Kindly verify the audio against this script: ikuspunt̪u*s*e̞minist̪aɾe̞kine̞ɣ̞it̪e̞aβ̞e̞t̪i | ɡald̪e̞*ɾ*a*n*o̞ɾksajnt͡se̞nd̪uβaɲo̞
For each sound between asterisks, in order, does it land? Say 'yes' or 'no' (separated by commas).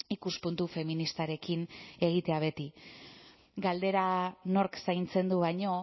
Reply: no, yes, yes